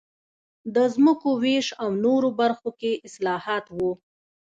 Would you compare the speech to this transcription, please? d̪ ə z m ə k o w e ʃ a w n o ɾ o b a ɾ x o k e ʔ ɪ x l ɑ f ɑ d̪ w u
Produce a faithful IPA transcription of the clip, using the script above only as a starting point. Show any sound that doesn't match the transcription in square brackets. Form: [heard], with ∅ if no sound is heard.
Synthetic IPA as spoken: d̪ ə z m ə k o w e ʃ a w n o ɾ o b a ɾ x o k e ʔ ɪ [s] l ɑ [h] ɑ [t̪] w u